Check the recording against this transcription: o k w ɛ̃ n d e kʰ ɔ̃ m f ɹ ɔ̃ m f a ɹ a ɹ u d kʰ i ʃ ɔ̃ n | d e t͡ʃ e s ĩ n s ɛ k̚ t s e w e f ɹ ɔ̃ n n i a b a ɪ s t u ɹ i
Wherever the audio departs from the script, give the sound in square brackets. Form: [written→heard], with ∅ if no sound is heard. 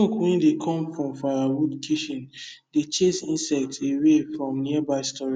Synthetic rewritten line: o k w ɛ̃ n d e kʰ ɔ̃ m f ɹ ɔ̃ m f a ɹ a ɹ u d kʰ i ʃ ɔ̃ n | d e t͡ʃ e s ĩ n s ɛ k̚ t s e w e f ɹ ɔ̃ [n→m] n i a b a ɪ s t [u→ɔ] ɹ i